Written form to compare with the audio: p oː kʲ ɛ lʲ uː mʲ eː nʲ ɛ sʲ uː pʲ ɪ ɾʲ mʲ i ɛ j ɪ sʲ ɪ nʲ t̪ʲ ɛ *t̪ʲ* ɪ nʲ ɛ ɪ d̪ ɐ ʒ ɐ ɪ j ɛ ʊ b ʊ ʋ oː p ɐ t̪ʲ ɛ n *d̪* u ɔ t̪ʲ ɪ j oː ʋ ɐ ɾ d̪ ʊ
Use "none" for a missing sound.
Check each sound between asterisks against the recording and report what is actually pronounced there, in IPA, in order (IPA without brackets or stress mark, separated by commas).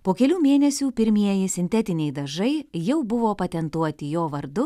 t̪ʲ, t̪